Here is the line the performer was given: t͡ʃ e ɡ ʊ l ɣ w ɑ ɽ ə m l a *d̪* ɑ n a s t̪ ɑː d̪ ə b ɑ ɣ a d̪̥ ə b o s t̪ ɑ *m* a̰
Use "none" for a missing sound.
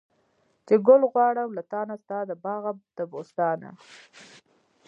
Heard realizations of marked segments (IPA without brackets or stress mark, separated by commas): t̪, n